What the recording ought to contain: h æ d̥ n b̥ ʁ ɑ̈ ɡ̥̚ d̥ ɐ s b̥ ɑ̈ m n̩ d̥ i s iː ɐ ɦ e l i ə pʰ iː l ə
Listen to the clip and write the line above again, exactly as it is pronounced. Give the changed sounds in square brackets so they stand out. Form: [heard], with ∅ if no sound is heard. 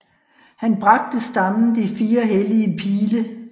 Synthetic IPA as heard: h æ [∅] n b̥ ʁ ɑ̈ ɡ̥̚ d̥ [ə] s [d̥] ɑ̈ m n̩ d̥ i [f] iː ɐ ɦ e l i ə pʰ iː l ə